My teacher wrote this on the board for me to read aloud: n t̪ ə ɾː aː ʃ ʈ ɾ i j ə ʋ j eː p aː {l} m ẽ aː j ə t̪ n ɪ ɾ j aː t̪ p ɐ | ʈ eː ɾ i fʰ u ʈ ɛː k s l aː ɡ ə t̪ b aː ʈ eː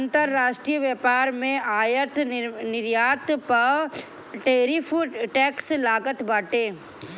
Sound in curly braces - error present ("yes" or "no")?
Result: yes